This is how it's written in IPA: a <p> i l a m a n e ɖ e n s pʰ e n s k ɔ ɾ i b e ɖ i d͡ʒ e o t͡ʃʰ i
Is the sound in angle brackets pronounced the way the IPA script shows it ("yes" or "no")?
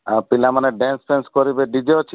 yes